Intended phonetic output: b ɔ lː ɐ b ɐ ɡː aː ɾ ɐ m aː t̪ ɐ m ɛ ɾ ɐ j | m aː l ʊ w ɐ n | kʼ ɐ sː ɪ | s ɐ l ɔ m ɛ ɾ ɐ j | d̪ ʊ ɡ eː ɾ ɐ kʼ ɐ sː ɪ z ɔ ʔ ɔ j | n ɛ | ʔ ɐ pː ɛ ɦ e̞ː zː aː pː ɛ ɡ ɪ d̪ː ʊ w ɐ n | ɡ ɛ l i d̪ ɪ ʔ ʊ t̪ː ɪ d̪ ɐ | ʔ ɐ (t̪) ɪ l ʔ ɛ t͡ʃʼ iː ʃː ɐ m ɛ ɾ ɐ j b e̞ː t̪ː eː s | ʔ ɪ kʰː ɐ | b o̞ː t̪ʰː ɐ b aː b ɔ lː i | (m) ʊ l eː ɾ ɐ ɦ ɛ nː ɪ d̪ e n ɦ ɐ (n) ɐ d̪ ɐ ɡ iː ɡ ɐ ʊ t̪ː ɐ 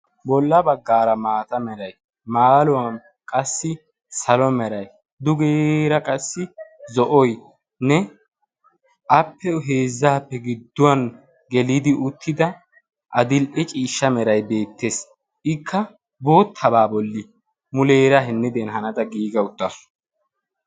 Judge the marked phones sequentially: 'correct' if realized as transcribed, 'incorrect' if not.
incorrect: d̪, correct, correct

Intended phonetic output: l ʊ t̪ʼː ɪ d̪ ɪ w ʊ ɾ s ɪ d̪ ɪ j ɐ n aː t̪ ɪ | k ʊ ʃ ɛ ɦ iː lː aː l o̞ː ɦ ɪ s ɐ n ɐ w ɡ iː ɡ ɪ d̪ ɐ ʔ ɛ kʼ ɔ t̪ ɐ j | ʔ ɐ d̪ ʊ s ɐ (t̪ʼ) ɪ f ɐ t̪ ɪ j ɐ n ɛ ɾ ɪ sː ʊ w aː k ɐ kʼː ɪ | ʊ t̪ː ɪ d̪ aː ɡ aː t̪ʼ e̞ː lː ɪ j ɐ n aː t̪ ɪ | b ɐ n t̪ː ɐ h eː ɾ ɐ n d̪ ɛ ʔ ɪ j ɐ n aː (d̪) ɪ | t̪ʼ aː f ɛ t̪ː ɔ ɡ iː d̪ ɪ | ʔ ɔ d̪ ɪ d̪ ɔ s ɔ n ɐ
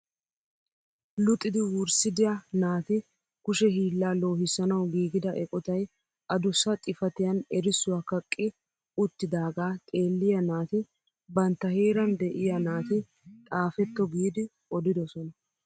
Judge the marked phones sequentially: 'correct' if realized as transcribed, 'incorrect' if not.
correct, incorrect: t̪

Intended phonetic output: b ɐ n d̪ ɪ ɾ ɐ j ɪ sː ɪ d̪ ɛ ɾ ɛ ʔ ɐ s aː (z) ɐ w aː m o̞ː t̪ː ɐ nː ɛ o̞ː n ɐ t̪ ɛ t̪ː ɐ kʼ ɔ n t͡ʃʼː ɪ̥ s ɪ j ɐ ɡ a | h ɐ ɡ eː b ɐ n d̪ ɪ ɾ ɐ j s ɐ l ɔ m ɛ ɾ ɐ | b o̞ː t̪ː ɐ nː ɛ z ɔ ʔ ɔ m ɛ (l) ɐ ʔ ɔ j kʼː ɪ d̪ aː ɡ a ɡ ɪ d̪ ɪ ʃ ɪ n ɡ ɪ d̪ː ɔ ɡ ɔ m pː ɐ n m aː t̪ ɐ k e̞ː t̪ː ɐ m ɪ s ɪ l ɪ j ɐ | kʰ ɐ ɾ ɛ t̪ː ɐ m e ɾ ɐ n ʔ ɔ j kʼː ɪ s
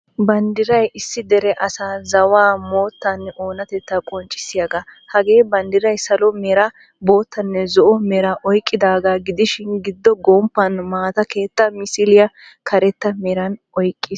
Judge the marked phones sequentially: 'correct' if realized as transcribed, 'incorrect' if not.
correct, incorrect: ɾ

